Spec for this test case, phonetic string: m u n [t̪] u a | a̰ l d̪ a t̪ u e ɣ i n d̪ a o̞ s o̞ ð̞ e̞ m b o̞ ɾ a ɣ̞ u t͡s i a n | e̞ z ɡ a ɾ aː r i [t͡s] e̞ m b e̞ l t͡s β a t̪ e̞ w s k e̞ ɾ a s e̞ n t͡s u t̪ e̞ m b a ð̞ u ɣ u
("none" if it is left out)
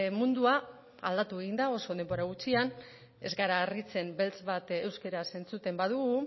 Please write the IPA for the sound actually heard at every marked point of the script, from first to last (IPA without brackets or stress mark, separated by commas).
d̪, t͡s